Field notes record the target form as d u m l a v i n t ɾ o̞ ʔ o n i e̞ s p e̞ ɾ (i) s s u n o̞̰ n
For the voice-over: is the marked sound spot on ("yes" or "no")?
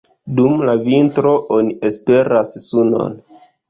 no